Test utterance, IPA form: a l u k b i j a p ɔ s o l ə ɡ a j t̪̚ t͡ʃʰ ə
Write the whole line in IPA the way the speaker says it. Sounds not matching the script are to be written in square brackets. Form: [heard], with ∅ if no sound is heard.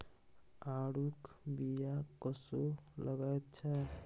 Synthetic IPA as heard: a [ɽ] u k b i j a [k] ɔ s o l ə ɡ a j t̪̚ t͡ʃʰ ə

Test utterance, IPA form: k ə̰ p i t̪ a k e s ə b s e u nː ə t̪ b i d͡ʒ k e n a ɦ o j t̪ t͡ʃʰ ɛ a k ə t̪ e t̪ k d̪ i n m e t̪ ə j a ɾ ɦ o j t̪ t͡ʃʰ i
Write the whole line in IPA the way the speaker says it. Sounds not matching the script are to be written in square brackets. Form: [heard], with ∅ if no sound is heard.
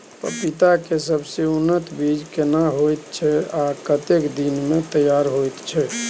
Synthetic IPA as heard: [p] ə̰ p i t̪ a k e s ə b s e u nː ə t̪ b i d͡ʒ k e n a ɦ o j t̪ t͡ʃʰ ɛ a k ə t̪ e [∅] k d̪ i n m e t̪ ə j a ɾ ɦ o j t̪ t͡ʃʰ [ɛ]

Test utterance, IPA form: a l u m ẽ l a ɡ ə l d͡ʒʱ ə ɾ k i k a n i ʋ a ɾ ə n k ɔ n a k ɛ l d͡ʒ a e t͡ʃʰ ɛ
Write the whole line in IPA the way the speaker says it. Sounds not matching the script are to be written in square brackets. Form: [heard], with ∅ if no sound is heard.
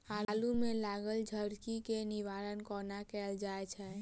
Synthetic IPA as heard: a l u m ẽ l a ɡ ə l d͡ʒʱ ə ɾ k i k [e] n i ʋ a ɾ ə n k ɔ n a k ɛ l d͡ʒ a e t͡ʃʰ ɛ

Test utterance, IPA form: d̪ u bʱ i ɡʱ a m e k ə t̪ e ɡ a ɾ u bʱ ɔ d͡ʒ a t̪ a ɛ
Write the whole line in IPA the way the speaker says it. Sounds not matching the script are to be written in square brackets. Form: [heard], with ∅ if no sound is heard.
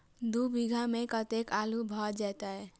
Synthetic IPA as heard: d̪ u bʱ i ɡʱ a m e k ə t̪ e [k] a [l] u bʱ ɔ d͡ʒ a t̪ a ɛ

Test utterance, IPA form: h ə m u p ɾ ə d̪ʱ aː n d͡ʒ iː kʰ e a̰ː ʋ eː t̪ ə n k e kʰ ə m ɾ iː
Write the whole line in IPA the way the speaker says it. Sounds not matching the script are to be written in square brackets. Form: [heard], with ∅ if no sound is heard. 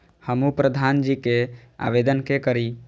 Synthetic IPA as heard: h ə m u p ɾ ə d̪ʱ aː n d͡ʒ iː [k] e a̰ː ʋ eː [d̪] ə n k e [k] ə [∅] ɾ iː

